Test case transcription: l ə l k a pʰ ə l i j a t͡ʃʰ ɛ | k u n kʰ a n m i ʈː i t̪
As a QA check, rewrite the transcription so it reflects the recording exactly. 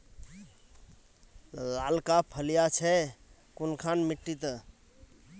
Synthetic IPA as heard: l a l k a pʰ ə l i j a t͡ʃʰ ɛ | k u n kʰ a n m i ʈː i t̪